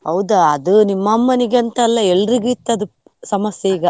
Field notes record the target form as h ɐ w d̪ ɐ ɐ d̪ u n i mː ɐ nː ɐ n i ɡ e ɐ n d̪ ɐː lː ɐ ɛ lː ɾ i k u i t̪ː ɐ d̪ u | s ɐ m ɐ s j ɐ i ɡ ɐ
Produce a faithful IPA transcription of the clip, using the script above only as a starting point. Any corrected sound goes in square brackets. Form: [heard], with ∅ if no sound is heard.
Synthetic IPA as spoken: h ɐ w d̪ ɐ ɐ d̪ u n i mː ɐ [mː] ɐ n i ɡ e ɐ n [t̪] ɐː lː ɐ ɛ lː ɾ i [ɡ] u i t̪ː ɐ d̪ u | s ɐ m ɐ s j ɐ i ɡ ɐ

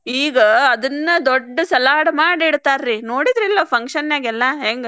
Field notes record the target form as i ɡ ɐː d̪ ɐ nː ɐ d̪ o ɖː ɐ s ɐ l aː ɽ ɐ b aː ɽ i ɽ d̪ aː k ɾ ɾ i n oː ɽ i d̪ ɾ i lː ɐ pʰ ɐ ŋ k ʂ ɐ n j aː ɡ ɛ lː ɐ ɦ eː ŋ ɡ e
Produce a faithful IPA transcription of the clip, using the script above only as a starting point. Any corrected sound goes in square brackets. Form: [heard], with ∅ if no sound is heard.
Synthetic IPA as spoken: [iː] ɡ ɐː d̪ ɐ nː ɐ d̪ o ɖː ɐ s ɐ l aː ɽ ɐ [m] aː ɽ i ɽ [t̪] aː [∅] ɾ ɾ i n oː ɽ i d̪ ɾ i lː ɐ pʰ ɐ ŋ k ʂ ɐ n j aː ɡ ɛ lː ɐ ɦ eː ŋ ɡ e

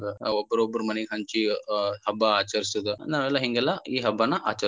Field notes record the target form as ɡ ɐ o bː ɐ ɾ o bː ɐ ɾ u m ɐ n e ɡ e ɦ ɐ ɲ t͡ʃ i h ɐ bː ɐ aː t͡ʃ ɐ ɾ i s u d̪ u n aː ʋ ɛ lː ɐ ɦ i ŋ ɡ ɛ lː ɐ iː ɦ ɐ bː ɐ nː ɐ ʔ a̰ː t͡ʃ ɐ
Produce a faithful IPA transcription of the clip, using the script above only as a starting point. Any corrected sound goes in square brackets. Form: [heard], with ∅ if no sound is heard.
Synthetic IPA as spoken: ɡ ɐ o bː ɐ ɾ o bː ɐ ɾ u m ɐ n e ɡ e ɦ ɐ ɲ t͡ʃ i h ɐ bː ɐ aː t͡ʃ ɐ ɾ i s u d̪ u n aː ʋ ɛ lː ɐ ɦ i ŋ ɡ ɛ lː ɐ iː ɦ ɐ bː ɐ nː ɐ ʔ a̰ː t͡ʃ ɐ

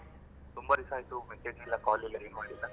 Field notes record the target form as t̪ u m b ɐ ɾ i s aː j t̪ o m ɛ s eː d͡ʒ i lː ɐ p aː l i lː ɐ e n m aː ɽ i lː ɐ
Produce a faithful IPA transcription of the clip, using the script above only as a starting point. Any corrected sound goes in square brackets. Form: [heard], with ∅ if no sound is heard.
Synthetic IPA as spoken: t̪ u m b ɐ ɾ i s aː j t̪ [u] m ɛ s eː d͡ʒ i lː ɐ [k] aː l i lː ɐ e n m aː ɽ i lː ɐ

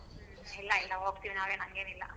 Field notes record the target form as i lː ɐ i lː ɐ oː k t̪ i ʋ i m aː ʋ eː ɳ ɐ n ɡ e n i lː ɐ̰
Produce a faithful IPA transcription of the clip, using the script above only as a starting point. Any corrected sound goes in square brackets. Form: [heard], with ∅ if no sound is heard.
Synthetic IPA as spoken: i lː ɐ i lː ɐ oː k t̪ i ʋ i [n] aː ʋ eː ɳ ɐ [ŋ] ɡ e n i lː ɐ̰

